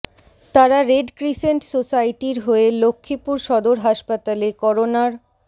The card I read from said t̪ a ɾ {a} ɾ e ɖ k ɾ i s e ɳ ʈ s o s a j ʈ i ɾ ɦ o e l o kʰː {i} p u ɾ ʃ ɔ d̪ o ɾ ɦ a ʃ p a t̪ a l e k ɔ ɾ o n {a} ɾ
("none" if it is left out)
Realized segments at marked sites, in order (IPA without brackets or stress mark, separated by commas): a, i, a